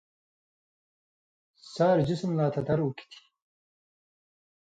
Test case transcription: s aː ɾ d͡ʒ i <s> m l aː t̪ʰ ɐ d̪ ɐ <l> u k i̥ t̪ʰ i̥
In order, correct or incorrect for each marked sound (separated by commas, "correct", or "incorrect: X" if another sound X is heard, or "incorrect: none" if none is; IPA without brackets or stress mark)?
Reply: correct, incorrect: ɾ